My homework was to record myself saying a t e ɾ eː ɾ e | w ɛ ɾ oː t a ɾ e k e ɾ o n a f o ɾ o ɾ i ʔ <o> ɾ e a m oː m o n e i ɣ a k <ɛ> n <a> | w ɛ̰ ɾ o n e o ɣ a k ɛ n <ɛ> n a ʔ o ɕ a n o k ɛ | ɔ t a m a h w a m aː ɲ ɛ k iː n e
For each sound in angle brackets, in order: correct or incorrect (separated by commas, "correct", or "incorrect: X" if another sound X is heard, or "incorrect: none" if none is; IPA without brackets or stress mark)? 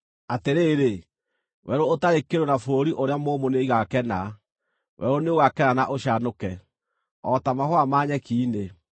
correct, correct, correct, incorrect: a